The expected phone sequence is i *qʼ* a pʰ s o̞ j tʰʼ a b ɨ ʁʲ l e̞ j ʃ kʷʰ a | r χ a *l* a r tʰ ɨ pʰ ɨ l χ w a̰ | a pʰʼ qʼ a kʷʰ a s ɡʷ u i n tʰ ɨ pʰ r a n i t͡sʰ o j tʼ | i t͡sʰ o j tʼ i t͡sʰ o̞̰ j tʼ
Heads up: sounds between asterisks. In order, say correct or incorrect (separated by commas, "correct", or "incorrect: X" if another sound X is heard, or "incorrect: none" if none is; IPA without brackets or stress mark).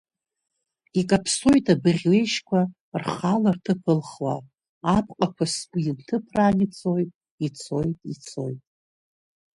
incorrect: kʼ, correct